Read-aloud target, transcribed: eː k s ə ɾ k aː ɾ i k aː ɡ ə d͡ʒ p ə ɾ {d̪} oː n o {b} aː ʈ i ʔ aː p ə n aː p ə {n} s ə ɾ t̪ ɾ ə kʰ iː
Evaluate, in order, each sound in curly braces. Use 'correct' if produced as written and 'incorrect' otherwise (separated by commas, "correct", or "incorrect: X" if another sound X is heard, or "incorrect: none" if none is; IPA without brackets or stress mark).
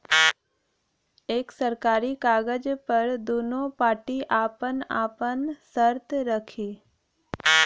correct, incorrect: p, correct